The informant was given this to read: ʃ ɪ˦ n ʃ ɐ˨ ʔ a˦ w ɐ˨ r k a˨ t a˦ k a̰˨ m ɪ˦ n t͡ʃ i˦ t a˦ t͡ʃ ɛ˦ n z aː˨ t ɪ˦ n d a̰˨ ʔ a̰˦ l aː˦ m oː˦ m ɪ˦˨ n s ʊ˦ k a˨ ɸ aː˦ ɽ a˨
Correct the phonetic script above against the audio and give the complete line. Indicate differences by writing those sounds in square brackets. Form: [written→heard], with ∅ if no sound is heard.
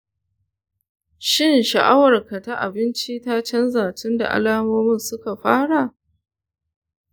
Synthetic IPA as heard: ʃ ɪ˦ n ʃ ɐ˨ ʔ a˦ w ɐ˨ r k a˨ t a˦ [k→ʔ] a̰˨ [m→b] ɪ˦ n t͡ʃ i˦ t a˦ t͡ʃ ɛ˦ n z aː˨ t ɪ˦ n d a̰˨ ʔ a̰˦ l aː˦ m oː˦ m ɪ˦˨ n s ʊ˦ k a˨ ɸ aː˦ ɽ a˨